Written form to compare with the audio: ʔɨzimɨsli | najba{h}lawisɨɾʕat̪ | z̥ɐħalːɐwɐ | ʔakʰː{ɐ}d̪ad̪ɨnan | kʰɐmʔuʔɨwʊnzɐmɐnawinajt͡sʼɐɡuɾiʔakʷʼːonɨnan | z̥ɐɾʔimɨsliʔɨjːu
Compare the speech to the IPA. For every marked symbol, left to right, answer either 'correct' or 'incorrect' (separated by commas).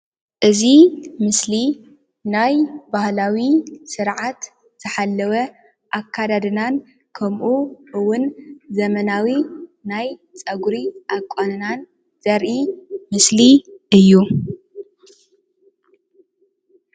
correct, incorrect